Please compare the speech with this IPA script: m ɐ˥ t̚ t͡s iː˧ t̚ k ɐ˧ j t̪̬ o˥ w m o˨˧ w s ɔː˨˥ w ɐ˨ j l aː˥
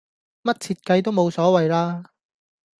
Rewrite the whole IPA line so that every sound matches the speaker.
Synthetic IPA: m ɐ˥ t̚ t͡sʰ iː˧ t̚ k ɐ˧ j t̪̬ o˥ w m o˨˧ w s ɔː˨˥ w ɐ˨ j l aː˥